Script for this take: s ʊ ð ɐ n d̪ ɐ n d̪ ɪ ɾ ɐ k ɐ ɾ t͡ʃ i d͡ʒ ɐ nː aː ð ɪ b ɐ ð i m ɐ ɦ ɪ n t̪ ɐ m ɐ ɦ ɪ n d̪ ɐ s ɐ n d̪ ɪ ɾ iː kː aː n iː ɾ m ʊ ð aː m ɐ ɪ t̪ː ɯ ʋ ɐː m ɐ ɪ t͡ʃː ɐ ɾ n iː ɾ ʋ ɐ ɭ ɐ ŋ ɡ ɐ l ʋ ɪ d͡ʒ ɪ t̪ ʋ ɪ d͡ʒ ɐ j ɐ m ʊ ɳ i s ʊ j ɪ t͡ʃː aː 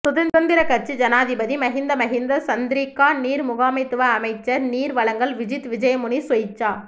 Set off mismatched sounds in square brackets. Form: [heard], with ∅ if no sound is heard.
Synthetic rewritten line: s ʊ ð ɐ n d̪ ɐ n d̪ ɪ ɾ ɐ k ɐ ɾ t͡ʃ i d͡ʒ ɐ [n] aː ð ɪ b ɐ ð i m ɐ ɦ ɪ n [d̪] ɐ m ɐ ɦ ɪ n d̪ ɐ s ɐ n d̪ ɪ ɾ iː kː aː n iː ɾ m ʊ [ɣ] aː m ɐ ɪ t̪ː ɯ ʋ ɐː m ɐ ɪ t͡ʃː ɐ ɾ n iː ɾ ʋ ɐ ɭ ɐ ŋ ɡ ɐ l ʋ ɪ d͡ʒ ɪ t̪ ʋ ɪ d͡ʒ ɐ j ɐ m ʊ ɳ i s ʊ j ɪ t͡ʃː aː